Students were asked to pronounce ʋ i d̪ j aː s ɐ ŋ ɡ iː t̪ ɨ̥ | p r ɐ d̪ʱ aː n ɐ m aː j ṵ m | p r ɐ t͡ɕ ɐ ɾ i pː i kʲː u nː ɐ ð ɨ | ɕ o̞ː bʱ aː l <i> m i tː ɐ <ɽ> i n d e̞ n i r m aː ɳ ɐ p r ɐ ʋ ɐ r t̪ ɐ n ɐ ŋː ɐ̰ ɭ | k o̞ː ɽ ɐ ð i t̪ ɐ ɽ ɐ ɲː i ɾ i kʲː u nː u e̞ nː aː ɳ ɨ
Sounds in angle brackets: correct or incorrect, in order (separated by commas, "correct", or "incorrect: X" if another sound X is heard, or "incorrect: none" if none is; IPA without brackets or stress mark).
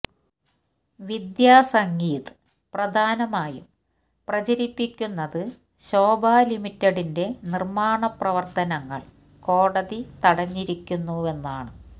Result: correct, correct